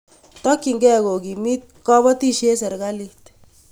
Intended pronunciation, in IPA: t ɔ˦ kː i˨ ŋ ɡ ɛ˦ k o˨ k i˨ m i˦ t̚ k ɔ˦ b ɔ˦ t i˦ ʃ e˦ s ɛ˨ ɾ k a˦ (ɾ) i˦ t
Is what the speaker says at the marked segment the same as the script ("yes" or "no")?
no